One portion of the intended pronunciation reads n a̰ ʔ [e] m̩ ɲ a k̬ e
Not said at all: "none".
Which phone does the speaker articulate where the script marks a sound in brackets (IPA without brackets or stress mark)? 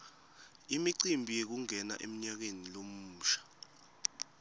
e